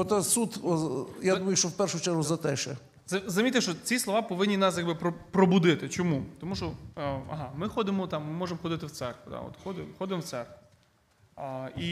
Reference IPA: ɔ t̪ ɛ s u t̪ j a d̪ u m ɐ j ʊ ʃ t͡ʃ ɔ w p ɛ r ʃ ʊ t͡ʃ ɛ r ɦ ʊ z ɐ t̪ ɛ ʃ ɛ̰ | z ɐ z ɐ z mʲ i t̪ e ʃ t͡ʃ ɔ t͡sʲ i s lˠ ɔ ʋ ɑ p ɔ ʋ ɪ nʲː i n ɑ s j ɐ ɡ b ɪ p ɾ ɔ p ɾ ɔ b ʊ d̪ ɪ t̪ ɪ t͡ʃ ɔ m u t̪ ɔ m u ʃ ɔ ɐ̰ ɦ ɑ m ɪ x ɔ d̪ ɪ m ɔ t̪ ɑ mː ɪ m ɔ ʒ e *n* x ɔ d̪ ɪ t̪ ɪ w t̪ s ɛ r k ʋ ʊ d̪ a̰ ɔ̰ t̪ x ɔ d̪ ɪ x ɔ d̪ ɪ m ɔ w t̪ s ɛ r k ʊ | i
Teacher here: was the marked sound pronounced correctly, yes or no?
no